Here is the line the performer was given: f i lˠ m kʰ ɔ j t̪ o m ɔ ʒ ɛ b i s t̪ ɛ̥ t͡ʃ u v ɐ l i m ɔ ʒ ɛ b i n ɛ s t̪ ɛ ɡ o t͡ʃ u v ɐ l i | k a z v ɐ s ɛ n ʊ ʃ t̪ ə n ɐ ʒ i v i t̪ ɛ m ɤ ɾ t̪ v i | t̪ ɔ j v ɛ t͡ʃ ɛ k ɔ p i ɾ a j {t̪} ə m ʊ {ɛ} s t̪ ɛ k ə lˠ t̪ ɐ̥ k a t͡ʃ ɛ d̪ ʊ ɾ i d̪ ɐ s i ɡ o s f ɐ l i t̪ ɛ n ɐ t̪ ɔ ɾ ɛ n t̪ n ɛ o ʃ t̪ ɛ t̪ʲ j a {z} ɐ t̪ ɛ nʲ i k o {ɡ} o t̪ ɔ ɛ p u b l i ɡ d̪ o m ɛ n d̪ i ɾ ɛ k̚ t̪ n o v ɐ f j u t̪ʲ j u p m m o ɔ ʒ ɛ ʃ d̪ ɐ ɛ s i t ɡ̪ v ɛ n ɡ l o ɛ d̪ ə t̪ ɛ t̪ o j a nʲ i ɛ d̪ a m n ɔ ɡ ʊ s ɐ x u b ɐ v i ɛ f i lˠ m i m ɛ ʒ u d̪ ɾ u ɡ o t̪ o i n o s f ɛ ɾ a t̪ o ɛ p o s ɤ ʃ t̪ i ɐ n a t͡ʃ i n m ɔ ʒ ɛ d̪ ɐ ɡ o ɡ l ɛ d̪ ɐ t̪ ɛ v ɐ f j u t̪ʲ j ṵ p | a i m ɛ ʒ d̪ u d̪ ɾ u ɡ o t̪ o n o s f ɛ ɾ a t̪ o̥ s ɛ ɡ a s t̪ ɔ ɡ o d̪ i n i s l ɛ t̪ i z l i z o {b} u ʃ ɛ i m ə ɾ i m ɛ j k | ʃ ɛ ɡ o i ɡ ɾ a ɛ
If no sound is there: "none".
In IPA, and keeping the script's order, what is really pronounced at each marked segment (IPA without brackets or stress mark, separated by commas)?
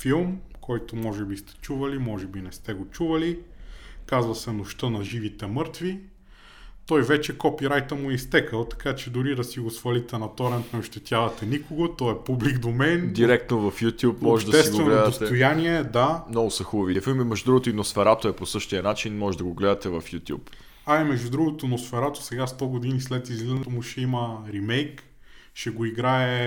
t̪, i, v, ɡ, m